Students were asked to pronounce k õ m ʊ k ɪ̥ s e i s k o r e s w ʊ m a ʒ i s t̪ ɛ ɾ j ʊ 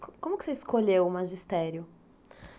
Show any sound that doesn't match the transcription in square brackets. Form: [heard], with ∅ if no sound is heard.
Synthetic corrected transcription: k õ m ʊ k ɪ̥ s e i s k o [ʎ] e [∅] w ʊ m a ʒ i s t̪ ɛ ɾ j ʊ